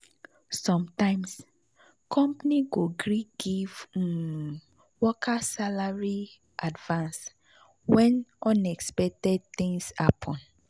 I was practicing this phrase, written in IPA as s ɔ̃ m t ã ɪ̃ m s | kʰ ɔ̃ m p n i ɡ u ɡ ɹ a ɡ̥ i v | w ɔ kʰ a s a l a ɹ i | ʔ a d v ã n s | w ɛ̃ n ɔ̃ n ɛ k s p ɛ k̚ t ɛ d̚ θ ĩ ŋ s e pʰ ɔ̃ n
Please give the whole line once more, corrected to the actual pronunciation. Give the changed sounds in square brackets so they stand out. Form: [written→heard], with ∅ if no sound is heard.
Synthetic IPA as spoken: s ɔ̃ m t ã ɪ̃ m s | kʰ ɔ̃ m p n i ɡ [u→o] ɡ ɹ [a→i] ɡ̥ i v | w ɔ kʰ a s a l a ɹ i | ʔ a d v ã n s | w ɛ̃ n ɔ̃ n ɛ k s p ɛ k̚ t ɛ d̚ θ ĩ ŋ s [e→a] pʰ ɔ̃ n